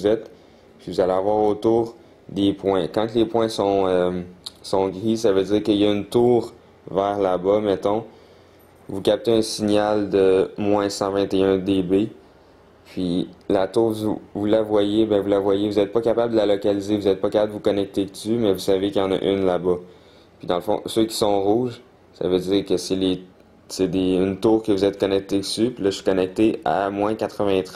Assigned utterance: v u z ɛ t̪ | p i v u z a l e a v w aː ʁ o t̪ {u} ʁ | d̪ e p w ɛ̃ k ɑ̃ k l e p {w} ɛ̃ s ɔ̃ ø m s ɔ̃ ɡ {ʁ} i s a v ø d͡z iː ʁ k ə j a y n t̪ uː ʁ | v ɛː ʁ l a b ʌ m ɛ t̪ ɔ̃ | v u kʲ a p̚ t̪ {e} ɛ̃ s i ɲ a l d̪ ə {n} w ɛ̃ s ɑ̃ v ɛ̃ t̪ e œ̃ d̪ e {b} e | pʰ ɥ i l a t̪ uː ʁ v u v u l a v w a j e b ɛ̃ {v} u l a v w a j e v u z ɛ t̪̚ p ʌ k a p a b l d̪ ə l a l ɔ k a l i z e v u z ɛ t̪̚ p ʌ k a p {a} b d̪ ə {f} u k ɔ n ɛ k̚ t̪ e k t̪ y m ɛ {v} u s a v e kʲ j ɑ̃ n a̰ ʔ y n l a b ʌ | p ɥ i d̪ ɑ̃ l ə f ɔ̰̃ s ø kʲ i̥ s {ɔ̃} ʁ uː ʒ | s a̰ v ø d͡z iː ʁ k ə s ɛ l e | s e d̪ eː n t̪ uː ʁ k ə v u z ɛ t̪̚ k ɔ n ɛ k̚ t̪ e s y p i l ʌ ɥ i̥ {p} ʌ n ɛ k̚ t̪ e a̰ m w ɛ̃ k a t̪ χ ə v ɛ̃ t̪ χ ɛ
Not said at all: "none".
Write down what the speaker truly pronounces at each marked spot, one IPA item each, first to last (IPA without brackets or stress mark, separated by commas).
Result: uː, w, ʁ, e, m, b, v, a, v, v, ɔ̃, k